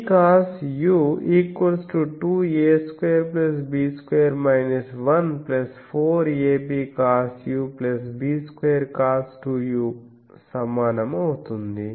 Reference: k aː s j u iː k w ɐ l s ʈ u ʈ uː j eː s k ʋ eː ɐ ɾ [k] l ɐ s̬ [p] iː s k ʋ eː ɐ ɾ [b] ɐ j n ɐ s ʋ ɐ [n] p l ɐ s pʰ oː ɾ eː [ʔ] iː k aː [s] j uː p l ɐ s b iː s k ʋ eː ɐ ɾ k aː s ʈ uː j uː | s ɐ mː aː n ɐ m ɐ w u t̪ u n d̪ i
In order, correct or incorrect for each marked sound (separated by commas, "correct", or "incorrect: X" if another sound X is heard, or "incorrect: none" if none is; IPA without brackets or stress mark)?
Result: incorrect: p, incorrect: b, incorrect: m, correct, incorrect: p, correct